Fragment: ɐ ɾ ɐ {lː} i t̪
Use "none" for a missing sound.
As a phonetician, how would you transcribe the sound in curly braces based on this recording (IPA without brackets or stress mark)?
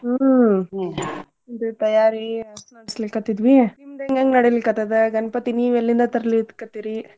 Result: l